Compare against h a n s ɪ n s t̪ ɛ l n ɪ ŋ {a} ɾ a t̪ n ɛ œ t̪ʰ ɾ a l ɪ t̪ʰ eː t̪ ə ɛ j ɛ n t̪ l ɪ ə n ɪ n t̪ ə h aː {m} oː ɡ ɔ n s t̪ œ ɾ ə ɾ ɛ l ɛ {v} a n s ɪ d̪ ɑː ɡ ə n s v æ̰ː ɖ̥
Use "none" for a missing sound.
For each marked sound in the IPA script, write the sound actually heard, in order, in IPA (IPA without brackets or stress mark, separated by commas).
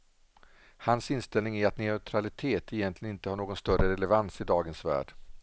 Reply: æ, ɳ, v